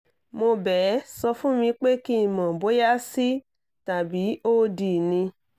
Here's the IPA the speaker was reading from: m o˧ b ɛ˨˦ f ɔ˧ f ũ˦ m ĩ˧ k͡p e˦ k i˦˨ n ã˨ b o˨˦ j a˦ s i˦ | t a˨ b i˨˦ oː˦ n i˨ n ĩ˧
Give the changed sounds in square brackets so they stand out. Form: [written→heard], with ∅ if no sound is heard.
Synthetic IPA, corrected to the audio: m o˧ b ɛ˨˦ [f→s] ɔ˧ f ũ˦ m ĩ˧ k͡p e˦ k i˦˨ [n→m] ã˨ b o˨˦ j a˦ s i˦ | t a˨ b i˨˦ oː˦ [n→d] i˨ n ĩ˧